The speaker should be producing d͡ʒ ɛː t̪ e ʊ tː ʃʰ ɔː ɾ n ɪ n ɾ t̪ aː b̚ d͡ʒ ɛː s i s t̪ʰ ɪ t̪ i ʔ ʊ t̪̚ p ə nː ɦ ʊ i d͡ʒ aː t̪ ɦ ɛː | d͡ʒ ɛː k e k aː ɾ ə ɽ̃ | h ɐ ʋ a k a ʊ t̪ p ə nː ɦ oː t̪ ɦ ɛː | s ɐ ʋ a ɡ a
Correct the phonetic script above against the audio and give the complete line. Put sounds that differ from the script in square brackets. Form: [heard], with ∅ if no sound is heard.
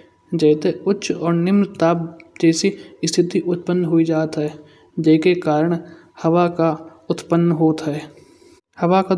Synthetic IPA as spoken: d͡ʒ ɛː t̪ e ʊ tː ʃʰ ɔː ɾ n ɪ [m] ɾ t̪ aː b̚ d͡ʒ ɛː s i s t̪ʰ ɪ t̪ i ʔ ʊ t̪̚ p ə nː ɦ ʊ i d͡ʒ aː t̪ ɦ ɛː | d͡ʒ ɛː k e k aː ɾ ə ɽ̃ | h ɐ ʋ a k a ʊ t̪ p ə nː ɦ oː t̪ ɦ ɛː | [h] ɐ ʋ a [k] a